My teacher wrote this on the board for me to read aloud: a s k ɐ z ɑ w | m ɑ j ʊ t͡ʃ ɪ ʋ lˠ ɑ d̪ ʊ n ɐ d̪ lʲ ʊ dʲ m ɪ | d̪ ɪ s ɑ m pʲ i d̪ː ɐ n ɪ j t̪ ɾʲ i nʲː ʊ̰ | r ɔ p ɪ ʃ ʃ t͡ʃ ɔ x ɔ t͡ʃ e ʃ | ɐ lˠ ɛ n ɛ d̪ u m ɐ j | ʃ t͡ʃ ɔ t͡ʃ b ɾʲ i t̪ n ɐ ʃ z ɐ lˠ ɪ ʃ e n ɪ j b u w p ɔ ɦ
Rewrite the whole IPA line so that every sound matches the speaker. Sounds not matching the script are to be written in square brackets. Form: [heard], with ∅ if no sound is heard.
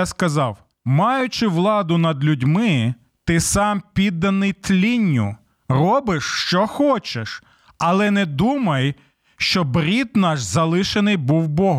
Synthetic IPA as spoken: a s k ɐ z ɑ w | m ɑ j ʊ t͡ʃ ɪ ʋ lˠ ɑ d̪ ʊ n ɐ d̪ lʲ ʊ dʲ m ɪ | [t̪] ɪ s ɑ m pʲ i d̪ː ɐ n ɪ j t̪ [lʲ] i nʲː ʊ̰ | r ɔ [b] ɪ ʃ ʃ t͡ʃ ɔ x ɔ t͡ʃ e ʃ | ɐ lˠ ɛ n ɛ d̪ u m ɐ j | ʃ t͡ʃ ɔ [∅] b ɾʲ i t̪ n [ɑ] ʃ z ɐ lˠ ɪ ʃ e n ɪ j b u w [b] ɔ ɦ